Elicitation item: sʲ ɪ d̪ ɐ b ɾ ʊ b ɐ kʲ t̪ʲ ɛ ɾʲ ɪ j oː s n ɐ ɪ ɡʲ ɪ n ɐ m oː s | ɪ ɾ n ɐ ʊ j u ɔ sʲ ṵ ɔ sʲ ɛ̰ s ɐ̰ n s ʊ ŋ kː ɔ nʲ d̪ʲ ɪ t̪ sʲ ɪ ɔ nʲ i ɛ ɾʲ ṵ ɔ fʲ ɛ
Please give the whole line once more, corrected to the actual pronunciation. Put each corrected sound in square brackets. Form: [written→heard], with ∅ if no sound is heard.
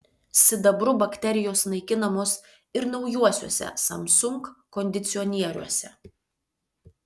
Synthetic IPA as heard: sʲ ɪ d̪ ɐ b ɾ ʊ b ɐ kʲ t̪ʲ ɛ ɾʲ ɪ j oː s n ɐ ɪ [ɡʲ→kʲ] ɪ n ɐ m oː s | ɪ ɾ n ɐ ʊ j u ɔ sʲ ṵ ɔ sʲ ɛ̰ s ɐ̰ [n→m] s ʊ ŋ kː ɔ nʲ d̪ʲ ɪ t̪ sʲ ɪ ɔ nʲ i ɛ ɾʲ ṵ ɔ [fʲ→sʲ] ɛ